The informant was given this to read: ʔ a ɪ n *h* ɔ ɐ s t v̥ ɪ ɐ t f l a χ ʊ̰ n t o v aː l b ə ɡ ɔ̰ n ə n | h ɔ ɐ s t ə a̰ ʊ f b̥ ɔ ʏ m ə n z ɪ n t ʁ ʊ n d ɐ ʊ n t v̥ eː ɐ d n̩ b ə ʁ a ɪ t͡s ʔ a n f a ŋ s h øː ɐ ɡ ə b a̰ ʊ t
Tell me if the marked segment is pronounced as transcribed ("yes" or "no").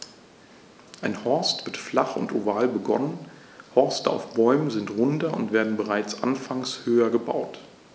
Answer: yes